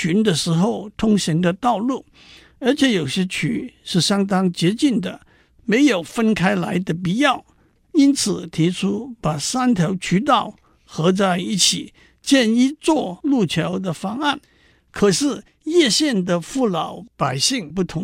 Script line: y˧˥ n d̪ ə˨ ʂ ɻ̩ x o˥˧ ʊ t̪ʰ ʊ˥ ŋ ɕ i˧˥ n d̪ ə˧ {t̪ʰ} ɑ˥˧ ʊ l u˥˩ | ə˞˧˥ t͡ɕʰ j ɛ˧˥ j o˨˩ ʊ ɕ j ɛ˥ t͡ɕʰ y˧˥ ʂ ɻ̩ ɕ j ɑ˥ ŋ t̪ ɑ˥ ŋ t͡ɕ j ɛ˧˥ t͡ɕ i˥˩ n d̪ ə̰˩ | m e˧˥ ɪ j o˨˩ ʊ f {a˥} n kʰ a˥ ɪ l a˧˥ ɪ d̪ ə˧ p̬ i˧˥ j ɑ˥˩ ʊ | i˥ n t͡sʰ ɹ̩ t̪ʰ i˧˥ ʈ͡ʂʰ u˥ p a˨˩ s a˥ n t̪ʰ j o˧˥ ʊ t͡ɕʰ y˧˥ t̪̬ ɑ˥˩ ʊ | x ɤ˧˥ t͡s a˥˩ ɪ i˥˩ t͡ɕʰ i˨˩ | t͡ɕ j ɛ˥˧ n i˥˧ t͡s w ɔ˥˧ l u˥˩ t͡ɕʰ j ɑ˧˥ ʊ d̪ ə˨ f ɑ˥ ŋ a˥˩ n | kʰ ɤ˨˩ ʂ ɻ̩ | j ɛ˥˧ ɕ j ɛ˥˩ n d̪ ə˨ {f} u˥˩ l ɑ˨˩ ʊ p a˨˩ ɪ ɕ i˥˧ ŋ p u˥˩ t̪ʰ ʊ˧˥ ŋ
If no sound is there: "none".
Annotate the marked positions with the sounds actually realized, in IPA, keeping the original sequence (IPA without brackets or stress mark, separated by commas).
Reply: t̪, ə˥, f